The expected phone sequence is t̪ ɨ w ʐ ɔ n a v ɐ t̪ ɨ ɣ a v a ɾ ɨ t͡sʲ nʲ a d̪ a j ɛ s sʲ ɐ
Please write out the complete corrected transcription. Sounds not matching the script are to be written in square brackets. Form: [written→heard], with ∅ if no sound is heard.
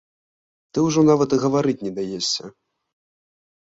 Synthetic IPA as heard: t̪ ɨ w ʐ ɔ n a v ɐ t̪ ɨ ɣ [a→ɐ] v a ɾ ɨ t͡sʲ nʲ [a→ɛ] d̪ a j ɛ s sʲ ɐ